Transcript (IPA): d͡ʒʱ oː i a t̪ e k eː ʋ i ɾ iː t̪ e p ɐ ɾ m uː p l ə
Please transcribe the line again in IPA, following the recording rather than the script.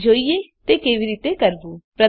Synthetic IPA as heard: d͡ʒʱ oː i e t̪ e k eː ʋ i ɾ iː t̪ e k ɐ ɾ b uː p ɾ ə